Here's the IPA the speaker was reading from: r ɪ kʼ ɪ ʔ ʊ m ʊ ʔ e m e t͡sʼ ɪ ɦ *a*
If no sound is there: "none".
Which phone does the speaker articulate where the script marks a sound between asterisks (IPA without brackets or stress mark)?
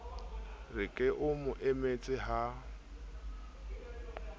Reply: a